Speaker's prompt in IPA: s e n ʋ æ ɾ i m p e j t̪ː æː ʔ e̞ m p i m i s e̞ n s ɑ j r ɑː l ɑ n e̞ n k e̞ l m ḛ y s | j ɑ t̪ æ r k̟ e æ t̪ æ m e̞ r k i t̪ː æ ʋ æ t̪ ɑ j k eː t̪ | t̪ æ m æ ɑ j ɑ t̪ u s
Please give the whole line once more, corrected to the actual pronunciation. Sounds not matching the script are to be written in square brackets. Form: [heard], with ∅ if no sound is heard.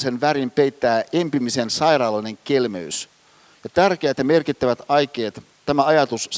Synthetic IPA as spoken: s e n ʋ æ ɾ i m p e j t̪ː æː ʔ e̞ m p i m i s e̞ n s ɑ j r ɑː l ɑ n e̞ [ŋ] k e̞ l m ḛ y s | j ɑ t̪ æ r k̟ e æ t̪ æ m e̞ r k i t̪ː æ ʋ æ t̪ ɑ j k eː t̪ | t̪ æ m æ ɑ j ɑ t̪ u s